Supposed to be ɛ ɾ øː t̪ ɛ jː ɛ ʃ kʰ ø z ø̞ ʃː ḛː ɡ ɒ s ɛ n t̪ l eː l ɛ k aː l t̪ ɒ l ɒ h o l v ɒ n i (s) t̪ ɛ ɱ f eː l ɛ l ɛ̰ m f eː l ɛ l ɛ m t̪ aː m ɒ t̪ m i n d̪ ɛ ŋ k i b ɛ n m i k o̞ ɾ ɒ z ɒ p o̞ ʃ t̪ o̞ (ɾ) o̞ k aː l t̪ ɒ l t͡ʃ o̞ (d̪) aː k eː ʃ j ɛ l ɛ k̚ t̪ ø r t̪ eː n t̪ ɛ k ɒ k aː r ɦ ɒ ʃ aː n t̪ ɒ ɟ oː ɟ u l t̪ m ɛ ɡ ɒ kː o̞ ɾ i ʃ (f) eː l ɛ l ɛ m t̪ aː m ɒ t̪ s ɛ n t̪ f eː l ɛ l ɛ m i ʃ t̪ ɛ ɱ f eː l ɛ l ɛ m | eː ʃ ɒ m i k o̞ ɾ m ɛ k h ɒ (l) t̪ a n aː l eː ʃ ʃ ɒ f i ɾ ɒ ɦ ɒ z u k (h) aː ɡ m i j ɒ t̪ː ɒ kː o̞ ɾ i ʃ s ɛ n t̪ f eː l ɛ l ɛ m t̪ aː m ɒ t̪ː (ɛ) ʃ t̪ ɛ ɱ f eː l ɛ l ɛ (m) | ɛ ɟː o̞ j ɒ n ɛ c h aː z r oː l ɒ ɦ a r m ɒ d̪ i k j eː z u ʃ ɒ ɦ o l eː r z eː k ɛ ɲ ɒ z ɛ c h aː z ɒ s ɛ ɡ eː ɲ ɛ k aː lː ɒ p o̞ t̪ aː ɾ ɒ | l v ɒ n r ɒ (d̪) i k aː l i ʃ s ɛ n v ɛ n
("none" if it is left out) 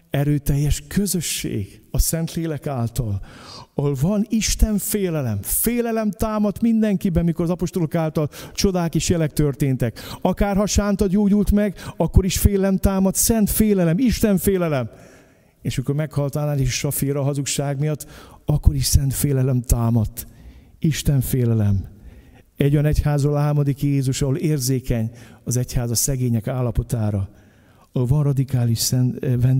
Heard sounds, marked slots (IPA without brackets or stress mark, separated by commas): ʃ, l, d̪, f, l, ʃ, i, m, d̪